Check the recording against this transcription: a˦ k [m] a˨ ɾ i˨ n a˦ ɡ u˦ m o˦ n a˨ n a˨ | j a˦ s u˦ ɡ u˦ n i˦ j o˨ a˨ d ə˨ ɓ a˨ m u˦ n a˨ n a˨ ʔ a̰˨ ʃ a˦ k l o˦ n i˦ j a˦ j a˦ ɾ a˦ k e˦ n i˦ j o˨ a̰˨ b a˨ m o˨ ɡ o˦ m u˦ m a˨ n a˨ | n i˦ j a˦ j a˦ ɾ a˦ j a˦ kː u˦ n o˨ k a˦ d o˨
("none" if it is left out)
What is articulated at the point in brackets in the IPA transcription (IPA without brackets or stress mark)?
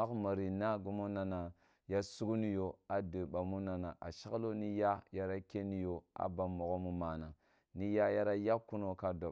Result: m